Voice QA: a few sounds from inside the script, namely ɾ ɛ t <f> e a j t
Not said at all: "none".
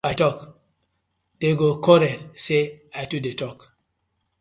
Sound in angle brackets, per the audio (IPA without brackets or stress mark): s